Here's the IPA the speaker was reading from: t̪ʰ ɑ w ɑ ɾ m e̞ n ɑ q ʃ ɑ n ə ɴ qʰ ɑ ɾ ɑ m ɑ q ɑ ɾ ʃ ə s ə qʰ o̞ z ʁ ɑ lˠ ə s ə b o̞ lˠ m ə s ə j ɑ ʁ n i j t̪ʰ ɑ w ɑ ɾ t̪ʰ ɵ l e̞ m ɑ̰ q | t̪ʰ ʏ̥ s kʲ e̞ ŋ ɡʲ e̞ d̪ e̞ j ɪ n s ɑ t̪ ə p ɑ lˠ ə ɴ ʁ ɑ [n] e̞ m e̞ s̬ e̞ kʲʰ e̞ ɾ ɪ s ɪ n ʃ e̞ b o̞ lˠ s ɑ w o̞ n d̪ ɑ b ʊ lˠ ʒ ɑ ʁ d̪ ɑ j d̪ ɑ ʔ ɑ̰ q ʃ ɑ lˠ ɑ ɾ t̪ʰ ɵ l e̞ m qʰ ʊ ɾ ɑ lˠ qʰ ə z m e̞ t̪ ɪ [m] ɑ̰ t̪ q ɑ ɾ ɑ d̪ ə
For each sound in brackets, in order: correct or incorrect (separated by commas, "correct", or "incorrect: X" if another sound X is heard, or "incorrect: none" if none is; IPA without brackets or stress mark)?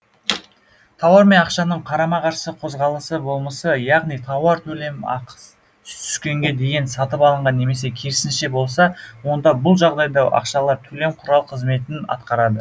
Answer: incorrect: nː, incorrect: n